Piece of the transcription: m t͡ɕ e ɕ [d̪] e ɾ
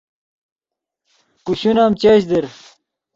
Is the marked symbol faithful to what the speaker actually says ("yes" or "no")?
yes